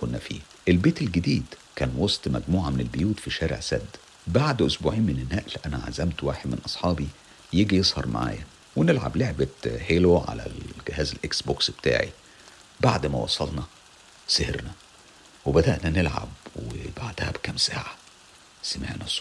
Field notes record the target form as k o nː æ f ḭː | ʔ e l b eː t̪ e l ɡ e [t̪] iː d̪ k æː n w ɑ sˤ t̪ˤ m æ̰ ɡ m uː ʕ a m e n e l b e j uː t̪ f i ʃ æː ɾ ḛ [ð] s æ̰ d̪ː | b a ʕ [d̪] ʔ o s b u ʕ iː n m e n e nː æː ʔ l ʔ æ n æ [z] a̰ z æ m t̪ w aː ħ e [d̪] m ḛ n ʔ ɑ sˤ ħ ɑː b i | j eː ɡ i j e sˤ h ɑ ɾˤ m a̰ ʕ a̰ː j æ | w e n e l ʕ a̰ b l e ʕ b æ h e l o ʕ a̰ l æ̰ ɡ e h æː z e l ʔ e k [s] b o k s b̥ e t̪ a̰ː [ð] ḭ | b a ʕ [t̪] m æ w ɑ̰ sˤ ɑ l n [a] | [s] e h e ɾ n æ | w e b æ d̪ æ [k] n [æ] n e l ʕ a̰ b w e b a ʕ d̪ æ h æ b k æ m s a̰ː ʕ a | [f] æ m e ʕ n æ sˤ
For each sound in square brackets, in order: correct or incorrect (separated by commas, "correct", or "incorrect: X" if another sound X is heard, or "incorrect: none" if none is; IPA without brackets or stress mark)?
incorrect: d̪, incorrect: ʕ, correct, incorrect: ʕ, correct, correct, incorrect: ʕ, incorrect: d̪, incorrect: ɑ, correct, incorrect: ʔ, correct, incorrect: s